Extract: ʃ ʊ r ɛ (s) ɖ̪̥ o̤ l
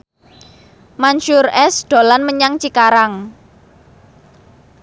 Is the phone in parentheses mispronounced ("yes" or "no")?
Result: no